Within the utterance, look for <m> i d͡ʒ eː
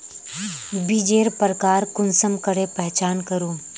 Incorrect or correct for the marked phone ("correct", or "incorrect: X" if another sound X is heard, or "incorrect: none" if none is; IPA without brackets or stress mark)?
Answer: incorrect: b